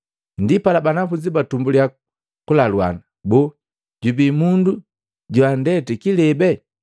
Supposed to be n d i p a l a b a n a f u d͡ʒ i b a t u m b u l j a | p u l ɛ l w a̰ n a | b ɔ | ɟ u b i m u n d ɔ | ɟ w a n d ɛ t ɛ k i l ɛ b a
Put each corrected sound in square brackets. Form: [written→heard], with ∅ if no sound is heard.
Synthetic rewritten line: n d i p a l a b a n a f u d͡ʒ i b a t u m b u l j a | [p→k] u l [ɛ→a] l w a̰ n a | b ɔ | ɟ u b i m u n d [ɔ→u] | ɟ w a n d ɛ t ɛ k i l ɛ b [a→ɛ]